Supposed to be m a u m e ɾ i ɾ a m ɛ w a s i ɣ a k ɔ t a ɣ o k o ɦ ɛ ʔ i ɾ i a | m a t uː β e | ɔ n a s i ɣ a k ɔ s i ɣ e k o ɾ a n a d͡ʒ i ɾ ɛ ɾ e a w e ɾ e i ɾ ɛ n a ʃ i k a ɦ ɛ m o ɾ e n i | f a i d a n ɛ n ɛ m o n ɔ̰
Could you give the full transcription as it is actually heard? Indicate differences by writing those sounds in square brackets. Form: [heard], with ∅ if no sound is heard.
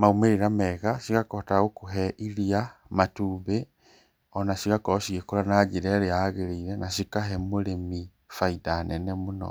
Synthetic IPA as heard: m a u m e ɾ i ɾ a m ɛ [ɣ] a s i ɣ a k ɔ t a ɣ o k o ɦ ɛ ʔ i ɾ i a | m a t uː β e | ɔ n a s i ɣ a k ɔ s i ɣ e k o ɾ a n a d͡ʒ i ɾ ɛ ɾ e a [ɣ] e ɾ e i ɾ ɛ n a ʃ i k a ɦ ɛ m o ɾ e [m] i | f a i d a n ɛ n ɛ m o n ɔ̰